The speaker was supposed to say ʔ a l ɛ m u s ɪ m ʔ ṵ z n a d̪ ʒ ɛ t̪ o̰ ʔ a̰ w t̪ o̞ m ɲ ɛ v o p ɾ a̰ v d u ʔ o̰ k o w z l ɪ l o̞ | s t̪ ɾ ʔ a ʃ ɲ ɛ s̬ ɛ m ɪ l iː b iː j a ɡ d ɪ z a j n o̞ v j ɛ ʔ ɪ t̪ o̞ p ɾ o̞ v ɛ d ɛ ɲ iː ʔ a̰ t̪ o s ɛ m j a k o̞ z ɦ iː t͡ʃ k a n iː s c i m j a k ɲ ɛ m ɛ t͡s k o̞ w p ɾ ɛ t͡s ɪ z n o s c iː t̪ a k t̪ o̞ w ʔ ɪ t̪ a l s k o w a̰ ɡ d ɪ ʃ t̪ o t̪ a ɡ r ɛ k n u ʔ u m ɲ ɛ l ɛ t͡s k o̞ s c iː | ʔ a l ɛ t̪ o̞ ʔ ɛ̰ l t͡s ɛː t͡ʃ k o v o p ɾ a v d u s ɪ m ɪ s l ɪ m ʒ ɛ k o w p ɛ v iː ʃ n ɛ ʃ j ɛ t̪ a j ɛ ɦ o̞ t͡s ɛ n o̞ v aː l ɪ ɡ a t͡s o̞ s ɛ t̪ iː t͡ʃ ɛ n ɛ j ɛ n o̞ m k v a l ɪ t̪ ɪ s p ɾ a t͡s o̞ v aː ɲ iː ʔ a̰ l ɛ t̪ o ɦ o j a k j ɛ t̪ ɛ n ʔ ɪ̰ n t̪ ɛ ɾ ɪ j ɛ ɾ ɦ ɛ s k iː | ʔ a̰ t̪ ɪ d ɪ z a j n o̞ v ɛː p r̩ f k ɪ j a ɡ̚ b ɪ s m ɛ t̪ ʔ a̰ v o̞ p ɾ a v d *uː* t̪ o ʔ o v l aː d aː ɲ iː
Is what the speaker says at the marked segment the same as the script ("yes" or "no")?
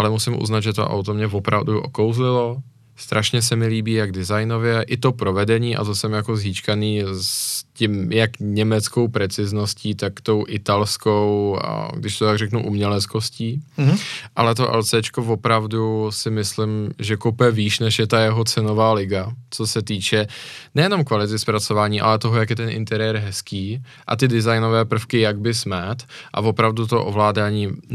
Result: no